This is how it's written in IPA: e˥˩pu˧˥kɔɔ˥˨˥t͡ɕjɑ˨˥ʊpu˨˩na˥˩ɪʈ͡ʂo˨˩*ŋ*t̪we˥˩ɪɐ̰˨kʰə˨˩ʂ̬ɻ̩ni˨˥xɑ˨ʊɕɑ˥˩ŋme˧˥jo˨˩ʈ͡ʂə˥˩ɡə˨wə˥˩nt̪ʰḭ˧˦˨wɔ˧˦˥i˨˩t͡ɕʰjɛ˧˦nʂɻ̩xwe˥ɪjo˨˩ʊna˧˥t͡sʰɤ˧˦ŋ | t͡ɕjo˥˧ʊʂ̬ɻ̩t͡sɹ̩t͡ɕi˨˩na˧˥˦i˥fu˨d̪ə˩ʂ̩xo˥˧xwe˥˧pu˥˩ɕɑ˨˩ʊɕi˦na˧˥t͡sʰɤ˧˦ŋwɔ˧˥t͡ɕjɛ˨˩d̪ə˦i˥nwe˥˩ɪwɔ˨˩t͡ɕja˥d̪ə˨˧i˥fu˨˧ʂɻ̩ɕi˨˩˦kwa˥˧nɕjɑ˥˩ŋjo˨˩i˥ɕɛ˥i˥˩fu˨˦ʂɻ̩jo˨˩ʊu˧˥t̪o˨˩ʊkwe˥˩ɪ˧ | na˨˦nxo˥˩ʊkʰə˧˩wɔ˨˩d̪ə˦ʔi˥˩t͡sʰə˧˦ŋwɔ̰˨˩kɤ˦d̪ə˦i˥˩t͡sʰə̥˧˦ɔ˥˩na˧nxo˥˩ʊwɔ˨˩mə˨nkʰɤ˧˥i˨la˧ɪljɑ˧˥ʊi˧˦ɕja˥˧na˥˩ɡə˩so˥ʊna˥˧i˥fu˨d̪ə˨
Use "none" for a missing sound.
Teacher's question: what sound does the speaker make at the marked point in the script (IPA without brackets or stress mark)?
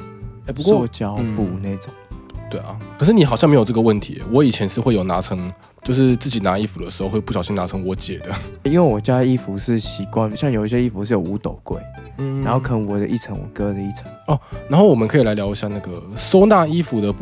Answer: ŋ